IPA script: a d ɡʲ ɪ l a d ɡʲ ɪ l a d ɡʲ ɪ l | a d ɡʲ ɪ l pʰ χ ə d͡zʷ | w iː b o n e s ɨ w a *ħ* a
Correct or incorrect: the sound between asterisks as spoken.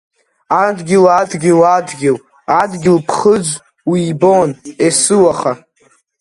incorrect: χ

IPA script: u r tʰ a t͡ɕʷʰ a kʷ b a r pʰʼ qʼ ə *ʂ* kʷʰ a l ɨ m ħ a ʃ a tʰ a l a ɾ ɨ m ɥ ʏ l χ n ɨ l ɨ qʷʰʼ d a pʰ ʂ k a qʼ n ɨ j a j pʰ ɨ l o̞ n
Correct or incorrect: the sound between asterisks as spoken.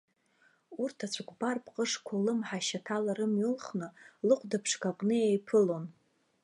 correct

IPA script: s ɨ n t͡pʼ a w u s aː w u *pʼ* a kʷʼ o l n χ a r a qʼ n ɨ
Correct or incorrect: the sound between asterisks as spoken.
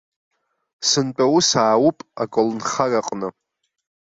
correct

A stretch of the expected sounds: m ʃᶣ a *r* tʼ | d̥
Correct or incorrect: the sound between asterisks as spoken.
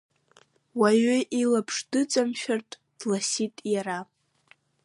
correct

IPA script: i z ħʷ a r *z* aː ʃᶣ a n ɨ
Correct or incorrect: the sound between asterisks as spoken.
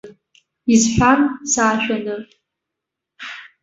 incorrect: s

